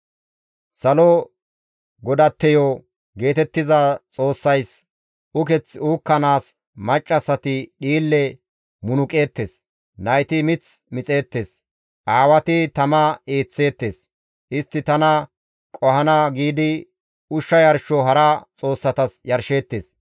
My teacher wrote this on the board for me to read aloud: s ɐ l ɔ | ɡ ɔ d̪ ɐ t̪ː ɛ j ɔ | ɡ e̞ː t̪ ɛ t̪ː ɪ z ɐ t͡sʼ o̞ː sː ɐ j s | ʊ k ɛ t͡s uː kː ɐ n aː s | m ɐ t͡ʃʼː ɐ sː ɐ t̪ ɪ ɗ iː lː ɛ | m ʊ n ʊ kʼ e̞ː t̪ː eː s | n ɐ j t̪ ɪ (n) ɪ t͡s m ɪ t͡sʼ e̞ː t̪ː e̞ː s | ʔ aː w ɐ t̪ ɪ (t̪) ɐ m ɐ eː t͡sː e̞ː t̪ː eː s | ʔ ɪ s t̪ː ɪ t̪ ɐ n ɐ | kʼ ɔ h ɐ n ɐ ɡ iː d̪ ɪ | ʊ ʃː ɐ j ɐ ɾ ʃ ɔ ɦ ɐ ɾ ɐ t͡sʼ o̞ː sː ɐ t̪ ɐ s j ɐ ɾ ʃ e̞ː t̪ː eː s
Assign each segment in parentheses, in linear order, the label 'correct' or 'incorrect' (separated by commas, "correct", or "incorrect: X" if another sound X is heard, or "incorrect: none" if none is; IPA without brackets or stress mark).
incorrect: m, correct